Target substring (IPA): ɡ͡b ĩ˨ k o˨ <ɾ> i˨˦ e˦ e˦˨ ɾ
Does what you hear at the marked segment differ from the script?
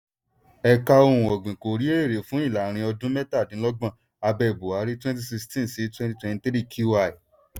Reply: no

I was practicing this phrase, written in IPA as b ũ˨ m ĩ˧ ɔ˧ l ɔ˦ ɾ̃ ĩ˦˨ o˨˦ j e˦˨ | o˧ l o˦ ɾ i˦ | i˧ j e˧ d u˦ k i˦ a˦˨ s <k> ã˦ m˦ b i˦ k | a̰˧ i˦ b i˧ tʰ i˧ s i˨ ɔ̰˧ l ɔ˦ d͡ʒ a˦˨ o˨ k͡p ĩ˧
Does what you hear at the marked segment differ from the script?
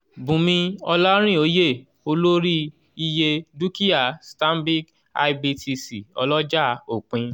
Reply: yes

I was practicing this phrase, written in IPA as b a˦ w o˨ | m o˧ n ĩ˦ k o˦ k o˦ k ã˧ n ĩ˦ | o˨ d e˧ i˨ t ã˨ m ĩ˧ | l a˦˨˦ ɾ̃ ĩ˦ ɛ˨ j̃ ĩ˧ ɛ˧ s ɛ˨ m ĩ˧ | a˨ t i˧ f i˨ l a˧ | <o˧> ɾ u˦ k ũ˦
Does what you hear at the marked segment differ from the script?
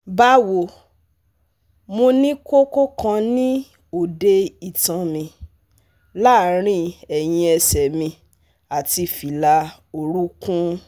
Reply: no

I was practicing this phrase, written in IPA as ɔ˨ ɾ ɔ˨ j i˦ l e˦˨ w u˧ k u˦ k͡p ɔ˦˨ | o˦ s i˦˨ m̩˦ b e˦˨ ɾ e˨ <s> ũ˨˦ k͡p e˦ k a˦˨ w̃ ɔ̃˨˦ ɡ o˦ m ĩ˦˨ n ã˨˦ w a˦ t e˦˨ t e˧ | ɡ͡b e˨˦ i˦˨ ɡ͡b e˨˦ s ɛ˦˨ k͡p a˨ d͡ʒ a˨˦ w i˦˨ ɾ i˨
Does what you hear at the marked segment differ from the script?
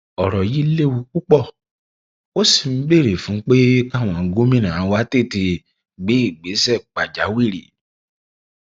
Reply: yes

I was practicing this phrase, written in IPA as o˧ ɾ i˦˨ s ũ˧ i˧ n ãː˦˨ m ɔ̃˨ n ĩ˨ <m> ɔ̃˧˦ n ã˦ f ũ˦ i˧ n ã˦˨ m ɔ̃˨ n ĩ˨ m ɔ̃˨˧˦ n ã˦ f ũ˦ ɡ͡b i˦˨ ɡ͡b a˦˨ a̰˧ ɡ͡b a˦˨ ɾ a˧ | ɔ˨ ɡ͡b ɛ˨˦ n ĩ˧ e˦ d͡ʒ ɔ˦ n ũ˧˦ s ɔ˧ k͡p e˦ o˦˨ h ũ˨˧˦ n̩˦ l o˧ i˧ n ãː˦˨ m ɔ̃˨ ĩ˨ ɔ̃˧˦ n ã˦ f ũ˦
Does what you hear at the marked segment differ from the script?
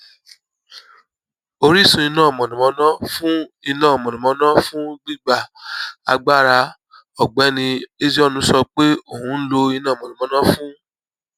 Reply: no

